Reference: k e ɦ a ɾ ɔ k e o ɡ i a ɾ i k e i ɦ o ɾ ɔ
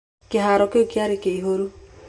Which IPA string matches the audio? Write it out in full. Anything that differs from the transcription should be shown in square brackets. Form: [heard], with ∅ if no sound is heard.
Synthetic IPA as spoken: k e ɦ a ɾ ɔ k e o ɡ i a ɾ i k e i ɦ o ɾ [u]